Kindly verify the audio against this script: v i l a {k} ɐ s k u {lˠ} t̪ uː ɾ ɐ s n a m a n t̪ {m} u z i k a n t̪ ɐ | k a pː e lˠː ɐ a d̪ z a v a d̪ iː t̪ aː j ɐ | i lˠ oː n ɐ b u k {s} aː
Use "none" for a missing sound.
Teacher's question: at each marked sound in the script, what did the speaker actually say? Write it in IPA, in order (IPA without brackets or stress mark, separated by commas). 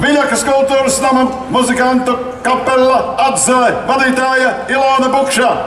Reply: k, lˠ, m, ʃ